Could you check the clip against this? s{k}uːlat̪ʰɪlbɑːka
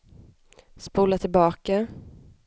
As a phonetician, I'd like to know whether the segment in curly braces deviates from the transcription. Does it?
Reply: yes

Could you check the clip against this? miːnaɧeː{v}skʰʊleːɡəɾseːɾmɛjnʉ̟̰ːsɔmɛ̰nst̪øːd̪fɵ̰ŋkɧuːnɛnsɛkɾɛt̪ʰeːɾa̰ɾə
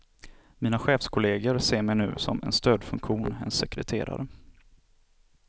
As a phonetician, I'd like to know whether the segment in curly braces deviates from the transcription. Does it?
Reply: yes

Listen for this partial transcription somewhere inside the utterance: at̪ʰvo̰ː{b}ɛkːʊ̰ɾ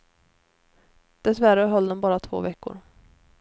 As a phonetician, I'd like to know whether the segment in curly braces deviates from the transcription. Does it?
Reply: yes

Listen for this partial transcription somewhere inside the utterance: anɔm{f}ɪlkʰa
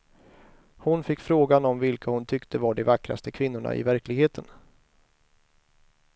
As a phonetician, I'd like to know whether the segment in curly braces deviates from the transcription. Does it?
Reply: yes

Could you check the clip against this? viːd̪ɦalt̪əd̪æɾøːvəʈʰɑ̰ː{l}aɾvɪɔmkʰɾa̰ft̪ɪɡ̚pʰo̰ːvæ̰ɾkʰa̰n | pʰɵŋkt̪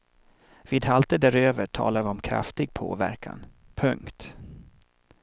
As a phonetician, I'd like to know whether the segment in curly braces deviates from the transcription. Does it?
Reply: no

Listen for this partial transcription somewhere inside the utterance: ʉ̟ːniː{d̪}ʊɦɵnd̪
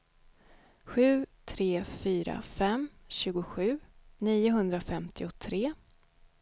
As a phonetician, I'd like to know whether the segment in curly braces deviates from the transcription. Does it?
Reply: yes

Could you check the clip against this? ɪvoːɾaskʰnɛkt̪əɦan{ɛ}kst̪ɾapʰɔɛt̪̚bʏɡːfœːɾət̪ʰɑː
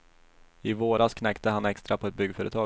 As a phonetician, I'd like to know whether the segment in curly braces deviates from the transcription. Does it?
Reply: no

